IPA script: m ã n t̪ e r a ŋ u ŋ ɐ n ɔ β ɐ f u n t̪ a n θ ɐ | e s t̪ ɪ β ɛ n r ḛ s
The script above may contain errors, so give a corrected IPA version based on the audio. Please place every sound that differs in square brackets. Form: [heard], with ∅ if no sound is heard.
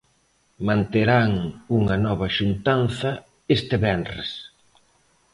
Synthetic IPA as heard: m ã n t̪ e [ɾ] a ŋ u ŋ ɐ n ɔ β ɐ [ʃ] u n t̪ a n θ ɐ | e s t̪ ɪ β ɛ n r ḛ s